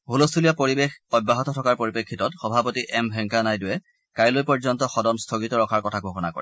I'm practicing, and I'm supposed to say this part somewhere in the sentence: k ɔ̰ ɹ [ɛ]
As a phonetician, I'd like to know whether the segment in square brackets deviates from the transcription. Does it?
no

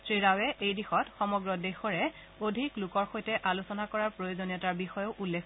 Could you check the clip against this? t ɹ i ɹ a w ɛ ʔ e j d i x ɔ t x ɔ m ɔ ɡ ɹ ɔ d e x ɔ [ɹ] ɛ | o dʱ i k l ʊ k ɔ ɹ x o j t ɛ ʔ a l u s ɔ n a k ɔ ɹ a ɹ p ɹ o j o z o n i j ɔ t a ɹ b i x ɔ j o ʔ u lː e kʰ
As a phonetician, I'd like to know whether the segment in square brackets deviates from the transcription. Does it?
no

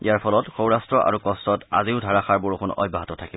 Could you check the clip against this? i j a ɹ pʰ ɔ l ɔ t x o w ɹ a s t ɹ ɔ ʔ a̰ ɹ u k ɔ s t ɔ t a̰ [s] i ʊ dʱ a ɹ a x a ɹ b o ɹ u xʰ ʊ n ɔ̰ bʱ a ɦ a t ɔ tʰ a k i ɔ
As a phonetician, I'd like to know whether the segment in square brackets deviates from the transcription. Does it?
yes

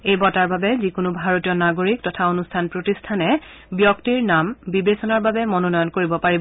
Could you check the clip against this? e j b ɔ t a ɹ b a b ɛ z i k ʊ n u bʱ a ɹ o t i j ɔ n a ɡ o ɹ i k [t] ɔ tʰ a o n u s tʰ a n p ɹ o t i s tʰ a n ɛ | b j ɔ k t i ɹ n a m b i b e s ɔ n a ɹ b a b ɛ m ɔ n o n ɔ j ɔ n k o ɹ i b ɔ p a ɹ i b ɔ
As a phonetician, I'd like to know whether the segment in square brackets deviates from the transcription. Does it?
no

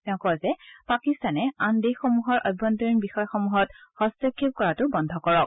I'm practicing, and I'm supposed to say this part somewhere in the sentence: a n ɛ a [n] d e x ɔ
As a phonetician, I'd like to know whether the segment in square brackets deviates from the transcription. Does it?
no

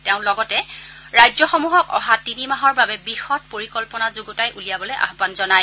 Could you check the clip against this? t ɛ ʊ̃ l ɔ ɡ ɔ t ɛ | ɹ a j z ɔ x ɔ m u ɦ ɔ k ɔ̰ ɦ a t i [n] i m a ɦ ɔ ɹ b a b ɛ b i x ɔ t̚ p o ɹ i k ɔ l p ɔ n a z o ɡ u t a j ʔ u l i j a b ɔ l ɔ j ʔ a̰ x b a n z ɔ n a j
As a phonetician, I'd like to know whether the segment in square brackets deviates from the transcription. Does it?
no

